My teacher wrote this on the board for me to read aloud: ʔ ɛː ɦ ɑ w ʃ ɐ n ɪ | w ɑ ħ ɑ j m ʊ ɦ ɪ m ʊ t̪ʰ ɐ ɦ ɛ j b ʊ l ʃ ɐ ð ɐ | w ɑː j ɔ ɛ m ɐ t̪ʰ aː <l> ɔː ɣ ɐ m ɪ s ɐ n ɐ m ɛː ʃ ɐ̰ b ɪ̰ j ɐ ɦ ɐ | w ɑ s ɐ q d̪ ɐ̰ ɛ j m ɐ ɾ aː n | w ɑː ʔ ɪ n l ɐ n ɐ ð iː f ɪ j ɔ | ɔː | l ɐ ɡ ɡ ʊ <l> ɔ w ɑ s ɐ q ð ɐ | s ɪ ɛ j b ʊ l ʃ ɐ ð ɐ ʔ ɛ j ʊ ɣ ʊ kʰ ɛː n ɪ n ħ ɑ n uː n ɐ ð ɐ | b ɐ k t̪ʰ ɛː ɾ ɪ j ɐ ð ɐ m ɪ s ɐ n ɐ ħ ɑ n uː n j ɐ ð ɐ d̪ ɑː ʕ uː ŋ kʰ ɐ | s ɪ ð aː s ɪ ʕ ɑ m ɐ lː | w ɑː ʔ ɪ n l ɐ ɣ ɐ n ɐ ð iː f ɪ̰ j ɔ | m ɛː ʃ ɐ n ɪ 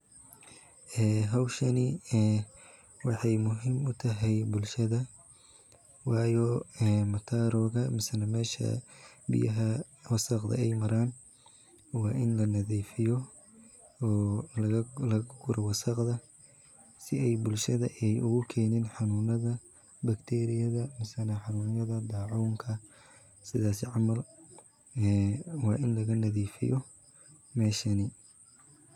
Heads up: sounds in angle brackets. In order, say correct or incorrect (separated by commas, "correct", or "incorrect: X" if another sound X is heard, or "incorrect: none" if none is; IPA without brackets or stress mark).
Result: incorrect: ɾ, incorrect: ɾ